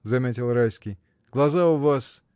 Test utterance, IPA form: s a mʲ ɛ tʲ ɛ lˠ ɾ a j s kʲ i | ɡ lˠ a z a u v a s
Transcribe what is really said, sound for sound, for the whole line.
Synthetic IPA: z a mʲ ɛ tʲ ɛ lˠ ɾ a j s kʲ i | ɡ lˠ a z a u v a s